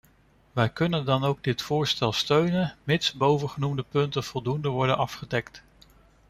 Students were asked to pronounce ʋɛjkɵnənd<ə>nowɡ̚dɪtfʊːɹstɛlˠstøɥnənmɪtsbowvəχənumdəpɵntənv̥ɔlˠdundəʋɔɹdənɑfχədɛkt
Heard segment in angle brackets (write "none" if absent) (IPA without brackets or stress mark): ɑ